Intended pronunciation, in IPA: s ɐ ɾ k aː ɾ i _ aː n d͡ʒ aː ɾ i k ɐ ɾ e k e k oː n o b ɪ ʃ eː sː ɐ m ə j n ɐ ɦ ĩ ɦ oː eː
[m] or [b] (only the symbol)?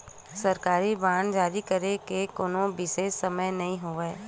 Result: b